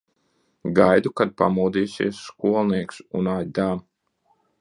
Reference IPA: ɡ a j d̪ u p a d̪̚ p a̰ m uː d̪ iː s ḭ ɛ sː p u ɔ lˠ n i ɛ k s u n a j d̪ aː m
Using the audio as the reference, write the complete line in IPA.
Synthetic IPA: ɡ a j d̪ u k a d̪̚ p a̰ m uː d̪ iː s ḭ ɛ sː k u ɔ lˠ n i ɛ k s u n a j d̪ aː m